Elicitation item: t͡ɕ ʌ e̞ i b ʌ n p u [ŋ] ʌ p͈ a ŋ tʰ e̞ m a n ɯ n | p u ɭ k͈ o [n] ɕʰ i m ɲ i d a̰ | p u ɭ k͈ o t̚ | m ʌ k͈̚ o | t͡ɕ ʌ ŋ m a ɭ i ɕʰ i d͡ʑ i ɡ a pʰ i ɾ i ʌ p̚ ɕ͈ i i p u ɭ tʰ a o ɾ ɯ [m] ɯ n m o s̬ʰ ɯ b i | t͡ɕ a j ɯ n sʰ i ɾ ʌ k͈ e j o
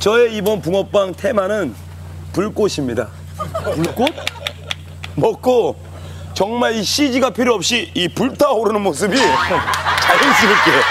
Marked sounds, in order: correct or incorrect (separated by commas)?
correct, incorrect, incorrect